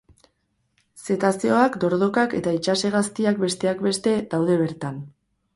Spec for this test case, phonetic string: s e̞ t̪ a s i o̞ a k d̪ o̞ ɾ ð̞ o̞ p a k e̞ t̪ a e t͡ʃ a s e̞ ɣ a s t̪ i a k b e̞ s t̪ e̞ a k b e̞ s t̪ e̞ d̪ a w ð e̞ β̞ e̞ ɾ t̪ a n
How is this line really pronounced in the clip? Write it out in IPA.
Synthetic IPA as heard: s e̞ t̪ a s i o̞ a k d̪ o̞ ɾ ð̞ o̞ k a k e̞ t̪ a i t͡ʃ a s e̞ ɣ a s t̪ i a k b e̞ s t̪ e̞ a k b e̞ s t̪ e̞ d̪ a w ð e̞ β̞ e̞ ɾ t̪ a n